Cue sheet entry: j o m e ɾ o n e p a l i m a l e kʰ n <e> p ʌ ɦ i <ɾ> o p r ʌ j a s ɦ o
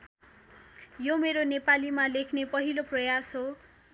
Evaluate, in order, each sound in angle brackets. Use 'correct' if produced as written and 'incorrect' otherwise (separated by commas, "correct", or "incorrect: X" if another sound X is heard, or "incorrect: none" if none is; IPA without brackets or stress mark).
correct, incorrect: l